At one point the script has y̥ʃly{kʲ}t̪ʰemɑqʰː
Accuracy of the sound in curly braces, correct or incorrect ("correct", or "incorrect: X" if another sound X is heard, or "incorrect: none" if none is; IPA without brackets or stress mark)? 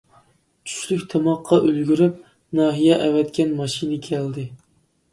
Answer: correct